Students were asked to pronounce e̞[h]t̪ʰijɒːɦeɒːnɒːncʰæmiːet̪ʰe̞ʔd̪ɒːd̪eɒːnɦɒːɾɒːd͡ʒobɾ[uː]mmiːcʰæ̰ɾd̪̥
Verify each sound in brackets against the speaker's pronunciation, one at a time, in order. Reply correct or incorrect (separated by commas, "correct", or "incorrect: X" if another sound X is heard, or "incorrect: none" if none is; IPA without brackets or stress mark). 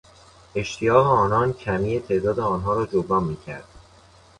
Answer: incorrect: ʃ, incorrect: ɒː